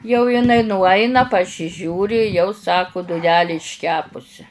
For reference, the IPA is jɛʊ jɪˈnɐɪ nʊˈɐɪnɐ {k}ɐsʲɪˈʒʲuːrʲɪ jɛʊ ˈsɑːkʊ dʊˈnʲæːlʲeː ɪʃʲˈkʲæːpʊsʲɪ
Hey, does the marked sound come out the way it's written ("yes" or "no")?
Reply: no